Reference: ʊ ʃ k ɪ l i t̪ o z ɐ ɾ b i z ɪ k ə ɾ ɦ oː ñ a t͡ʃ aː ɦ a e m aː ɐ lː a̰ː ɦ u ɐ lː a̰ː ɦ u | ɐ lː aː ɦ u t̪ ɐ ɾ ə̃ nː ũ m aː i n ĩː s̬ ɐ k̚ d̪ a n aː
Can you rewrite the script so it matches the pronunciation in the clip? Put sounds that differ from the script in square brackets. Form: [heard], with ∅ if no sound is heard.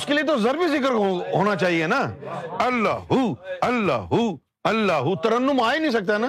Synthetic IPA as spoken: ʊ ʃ k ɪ l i t̪ o z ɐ ɾ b i z ɪ k ə ɾ ɦ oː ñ a t͡ʃ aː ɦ [i] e [n] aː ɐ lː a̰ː ɦ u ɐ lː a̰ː ɦ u | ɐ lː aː ɦ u t̪ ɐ ɾ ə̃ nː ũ m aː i n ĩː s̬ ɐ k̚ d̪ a n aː